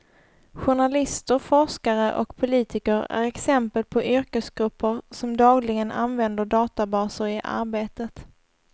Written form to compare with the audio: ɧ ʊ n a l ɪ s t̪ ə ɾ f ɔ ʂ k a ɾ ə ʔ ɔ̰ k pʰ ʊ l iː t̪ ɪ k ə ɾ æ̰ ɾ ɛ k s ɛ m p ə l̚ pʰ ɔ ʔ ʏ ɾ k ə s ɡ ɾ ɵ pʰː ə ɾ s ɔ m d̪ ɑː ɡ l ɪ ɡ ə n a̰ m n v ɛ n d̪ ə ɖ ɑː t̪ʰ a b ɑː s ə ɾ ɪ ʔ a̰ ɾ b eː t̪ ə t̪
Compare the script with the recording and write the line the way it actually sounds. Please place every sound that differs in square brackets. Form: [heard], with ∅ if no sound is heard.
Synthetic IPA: ɧ ʊ [ɳ] a l ɪ s t̪ ə ɾ f ɔ ʂ k a ɾ ə ʔ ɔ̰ k pʰ ʊ l iː t̪ ɪ k ə ɾ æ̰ ɾ ɛ k s ɛ m p ə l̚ pʰ ɔ ʔ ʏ ɾ k ə s ɡ ɾ ɵ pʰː ə ɾ s ɔ m d̪ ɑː ɡ l ɪ ɡ ə n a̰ [∅] n v ɛ n d̪ ə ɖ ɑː [t̪] a b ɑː s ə ɾ ɪ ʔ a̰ ɾ b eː t̪ ə t̪